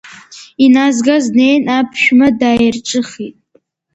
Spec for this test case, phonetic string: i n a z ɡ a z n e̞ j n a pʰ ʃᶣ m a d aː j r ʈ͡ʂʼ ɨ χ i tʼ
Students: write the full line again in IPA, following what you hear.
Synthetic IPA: i n a z ɡ a z n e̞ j n a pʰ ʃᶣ m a d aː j r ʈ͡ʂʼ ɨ χ i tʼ